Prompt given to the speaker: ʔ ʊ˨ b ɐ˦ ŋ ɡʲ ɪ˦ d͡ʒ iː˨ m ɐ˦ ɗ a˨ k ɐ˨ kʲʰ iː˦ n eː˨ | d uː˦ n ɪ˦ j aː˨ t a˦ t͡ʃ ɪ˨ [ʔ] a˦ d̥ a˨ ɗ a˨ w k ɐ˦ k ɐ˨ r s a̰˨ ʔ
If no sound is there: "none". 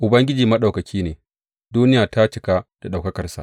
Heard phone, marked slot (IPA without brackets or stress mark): k